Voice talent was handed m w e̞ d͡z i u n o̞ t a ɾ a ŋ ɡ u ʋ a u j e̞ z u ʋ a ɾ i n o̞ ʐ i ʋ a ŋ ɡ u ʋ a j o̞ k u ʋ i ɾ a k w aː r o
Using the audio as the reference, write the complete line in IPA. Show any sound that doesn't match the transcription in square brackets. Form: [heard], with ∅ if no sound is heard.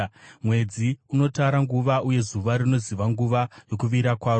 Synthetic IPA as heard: m w e̞ d͡z i u n o̞ t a ɾ a ŋ ɡ u ʋ a u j e̞ z u ʋ a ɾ i n o̞ [z] i ʋ a ŋ ɡ u ʋ a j o̞ k u ʋ i ɾ a k w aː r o